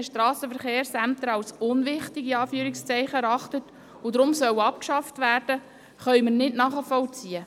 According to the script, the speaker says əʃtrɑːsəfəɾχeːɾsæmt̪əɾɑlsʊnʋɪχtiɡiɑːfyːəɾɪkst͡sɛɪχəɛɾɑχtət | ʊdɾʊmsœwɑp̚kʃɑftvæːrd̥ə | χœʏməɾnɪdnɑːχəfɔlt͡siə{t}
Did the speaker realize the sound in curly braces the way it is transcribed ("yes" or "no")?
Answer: no